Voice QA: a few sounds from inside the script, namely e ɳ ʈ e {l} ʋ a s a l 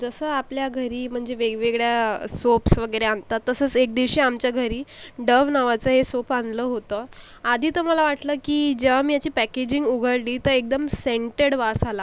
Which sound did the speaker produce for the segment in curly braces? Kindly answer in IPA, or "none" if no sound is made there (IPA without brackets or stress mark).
ɽ